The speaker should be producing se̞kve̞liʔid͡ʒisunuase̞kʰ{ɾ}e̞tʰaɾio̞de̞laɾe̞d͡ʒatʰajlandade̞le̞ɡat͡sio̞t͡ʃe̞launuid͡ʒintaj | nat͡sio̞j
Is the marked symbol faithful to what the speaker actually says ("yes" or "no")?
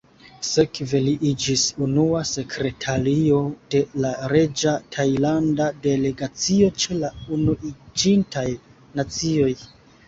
yes